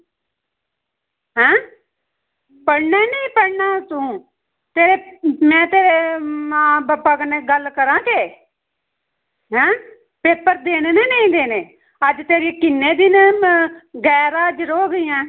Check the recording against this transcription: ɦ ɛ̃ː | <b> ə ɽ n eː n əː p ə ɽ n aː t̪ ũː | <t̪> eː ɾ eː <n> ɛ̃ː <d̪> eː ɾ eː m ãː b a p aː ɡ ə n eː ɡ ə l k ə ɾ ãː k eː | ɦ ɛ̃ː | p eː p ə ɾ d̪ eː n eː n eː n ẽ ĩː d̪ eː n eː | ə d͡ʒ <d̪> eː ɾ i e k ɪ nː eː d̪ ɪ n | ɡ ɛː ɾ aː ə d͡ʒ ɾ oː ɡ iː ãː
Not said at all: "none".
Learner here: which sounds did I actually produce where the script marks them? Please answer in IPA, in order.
p, t̪, m, t̪, t̪

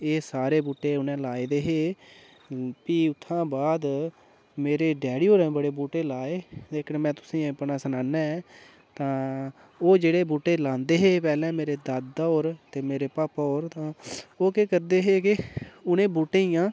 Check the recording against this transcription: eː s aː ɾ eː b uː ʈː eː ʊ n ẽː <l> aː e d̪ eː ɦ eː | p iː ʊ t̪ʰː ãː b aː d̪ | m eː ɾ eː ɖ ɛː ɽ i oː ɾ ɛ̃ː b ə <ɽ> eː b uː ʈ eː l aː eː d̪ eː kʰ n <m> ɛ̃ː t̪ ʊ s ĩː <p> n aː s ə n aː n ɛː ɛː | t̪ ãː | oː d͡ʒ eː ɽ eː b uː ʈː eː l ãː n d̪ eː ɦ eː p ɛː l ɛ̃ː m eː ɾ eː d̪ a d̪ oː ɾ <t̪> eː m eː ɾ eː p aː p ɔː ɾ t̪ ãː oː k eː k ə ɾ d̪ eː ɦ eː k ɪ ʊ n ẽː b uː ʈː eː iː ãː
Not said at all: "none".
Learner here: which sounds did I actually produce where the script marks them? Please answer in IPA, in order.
l, ɽ, m, p, t̪

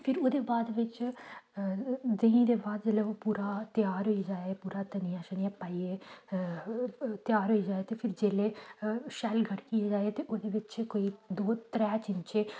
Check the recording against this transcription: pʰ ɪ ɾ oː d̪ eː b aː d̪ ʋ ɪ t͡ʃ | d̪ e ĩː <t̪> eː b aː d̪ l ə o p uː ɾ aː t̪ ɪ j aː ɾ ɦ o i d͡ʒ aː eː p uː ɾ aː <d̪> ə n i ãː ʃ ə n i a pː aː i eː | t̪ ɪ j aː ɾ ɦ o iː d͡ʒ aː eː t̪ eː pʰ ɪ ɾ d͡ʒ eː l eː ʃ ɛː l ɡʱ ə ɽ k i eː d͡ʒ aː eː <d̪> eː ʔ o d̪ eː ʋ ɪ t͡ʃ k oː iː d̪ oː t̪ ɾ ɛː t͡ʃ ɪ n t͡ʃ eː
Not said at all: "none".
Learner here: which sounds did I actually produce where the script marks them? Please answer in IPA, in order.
d̪, t̪, t̪

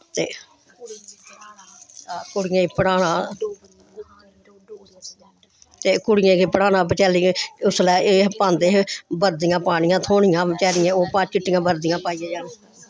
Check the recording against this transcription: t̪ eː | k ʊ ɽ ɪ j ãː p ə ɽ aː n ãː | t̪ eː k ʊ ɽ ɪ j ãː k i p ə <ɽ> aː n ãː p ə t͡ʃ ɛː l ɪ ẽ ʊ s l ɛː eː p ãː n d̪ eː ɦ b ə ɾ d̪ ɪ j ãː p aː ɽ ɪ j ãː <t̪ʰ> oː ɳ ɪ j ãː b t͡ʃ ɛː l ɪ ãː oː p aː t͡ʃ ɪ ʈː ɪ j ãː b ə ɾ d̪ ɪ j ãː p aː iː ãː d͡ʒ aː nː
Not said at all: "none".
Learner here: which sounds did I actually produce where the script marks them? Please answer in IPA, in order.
ɽ, t̪ʰ

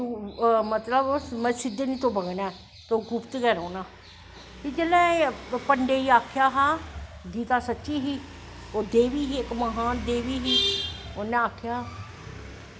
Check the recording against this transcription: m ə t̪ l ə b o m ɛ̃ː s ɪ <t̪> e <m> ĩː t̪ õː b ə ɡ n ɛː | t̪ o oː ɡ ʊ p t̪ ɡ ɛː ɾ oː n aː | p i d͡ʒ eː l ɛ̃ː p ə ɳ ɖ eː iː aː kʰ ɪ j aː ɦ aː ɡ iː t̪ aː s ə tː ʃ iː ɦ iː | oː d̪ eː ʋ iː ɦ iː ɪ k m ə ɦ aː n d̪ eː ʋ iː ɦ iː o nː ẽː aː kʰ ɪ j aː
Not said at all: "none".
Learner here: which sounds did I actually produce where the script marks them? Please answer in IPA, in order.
d̪, n

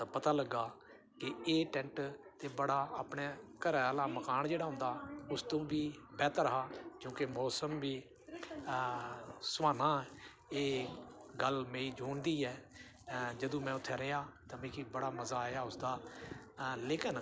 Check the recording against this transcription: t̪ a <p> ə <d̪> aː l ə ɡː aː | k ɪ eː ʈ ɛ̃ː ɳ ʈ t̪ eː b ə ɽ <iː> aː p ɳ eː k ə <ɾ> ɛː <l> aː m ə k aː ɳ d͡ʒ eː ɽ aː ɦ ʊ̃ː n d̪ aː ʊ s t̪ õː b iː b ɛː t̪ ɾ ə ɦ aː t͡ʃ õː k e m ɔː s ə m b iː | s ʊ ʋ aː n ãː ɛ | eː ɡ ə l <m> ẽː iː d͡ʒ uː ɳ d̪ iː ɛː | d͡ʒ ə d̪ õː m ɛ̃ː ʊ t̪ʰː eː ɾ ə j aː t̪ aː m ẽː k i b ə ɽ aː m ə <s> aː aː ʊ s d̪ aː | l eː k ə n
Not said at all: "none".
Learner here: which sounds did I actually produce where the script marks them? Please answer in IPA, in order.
p, t̪, aː, ɾ, l, m, z

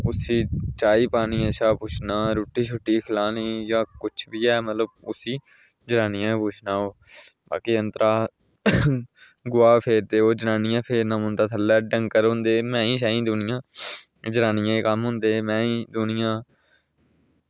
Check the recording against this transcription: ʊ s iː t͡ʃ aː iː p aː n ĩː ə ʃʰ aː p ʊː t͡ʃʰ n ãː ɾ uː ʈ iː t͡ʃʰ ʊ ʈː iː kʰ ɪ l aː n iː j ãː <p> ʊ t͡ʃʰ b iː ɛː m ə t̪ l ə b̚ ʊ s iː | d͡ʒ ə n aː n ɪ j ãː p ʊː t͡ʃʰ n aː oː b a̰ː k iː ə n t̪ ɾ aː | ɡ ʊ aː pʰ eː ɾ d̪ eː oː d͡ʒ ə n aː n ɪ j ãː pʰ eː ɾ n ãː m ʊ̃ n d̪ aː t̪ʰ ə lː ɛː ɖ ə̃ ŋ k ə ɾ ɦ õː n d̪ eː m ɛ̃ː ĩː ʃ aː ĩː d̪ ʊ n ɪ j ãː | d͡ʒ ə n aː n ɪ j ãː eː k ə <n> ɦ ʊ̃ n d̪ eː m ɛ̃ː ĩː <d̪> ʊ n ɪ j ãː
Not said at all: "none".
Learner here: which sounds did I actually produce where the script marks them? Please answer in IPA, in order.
k, m, d̪

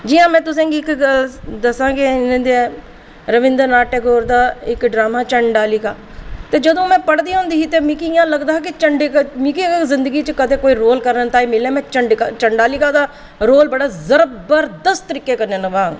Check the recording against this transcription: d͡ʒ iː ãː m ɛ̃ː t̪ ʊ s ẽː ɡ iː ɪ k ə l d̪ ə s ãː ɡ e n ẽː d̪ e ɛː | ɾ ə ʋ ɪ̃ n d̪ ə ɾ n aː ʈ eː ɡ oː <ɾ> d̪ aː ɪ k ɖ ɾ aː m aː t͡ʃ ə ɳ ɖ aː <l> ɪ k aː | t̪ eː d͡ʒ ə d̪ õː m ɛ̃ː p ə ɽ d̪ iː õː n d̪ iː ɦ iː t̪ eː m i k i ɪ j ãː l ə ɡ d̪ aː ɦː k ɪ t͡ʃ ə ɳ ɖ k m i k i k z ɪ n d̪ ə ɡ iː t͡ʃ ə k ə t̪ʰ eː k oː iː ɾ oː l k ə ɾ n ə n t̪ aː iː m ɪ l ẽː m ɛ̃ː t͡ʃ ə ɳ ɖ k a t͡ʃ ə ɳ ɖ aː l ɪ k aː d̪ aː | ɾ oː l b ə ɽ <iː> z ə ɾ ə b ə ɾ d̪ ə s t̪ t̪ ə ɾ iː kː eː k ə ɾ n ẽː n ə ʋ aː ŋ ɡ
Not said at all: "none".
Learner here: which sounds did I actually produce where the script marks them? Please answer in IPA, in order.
ɾ, l, aː

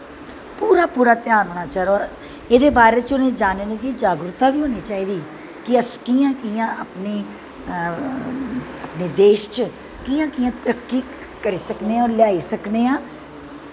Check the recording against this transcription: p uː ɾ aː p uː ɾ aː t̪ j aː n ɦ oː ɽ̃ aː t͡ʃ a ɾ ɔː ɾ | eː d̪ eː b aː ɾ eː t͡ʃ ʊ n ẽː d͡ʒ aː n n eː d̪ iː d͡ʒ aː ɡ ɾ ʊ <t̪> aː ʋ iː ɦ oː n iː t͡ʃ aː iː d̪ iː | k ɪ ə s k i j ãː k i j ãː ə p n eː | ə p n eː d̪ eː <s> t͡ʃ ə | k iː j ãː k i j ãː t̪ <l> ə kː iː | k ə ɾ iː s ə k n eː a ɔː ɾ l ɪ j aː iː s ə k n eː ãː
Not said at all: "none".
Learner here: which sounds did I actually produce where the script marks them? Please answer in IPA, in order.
t̪, ʃ, ɾ

